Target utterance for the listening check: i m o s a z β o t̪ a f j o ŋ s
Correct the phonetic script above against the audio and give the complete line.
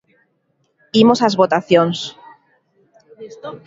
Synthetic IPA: i m o s a z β o t̪ a θ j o n s